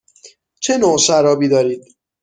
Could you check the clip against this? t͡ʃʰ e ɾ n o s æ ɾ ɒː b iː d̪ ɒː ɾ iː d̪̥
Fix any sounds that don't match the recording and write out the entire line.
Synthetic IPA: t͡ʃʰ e n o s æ ɾ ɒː b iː d̪ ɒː ɾ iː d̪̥